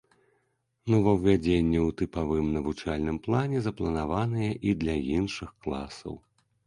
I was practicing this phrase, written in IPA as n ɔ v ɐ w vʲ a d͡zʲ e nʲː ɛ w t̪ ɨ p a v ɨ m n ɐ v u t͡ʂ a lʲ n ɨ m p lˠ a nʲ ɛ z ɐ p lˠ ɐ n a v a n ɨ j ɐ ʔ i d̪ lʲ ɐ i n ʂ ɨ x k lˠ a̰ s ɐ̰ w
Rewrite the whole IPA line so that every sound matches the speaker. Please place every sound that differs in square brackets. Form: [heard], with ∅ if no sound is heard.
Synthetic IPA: n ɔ v ɐ w vʲ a d͡zʲ e nʲː ɛ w t̪ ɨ p a v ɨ m n ɐ v u t͡ʂ a lʲ n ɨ m p lˠ a nʲ ɛ z ɐ p lˠ ɐ n a v a n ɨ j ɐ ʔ i d̪ lʲ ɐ i n ʂ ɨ x k lˠ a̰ s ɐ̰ w

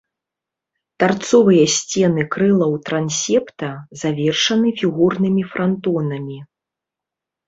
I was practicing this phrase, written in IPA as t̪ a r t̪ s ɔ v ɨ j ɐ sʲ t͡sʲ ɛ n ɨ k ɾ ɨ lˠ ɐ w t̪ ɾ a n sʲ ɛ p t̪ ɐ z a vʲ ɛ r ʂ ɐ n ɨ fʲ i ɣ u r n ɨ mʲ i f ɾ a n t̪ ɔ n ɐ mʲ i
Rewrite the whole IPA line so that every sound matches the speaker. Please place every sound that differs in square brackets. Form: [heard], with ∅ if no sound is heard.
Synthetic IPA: t̪ a r t̪ s ɔ v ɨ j ɐ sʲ t͡sʲ ɛ n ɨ k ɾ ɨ lˠ ɐ w t̪ ɾ a n sʲ ɛ p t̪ ɐ z a vʲ ɛ r ʂ ɐ n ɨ fʲ i ɣ u r n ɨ mʲ i f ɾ a n t̪ ɔ n ɐ mʲ i

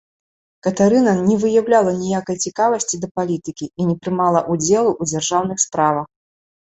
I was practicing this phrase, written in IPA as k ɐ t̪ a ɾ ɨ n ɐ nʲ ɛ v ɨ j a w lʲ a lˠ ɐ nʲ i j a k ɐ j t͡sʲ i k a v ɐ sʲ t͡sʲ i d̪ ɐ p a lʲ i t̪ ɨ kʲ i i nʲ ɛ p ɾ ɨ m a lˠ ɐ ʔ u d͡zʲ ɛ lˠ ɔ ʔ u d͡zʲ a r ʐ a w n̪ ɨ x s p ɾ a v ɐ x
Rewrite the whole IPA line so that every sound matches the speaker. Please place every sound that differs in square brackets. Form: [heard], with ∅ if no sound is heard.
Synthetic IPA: k ɐ t̪ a ɾ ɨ n ɐ nʲ ɛ v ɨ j a w lʲ a lˠ ɐ nʲ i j a k ɐ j t͡sʲ i k a v ɐ sʲ t͡sʲ i d̪ ɐ p a lʲ i t̪ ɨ kʲ i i nʲ ɛ p ɾ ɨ m a lˠ ɐ ʔ u d͡zʲ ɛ lˠ [u] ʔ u d͡zʲ a r ʐ a w n̪ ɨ x s p ɾ a v ɐ x

